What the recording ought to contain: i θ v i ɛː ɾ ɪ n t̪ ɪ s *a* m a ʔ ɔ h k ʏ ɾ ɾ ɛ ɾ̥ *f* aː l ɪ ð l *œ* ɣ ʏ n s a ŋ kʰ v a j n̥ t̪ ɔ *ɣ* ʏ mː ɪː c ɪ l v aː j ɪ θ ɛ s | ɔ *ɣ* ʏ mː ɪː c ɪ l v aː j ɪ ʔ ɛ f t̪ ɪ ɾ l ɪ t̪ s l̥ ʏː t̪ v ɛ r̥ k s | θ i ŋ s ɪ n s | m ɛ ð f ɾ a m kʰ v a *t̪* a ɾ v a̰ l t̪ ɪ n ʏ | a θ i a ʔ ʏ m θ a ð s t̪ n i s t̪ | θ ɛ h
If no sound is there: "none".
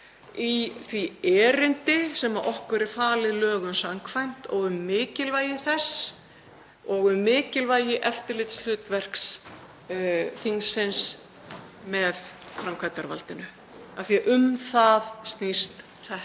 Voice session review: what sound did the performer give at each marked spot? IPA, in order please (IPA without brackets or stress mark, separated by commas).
ɛ, f, œː, ɣ, ɣ, t̪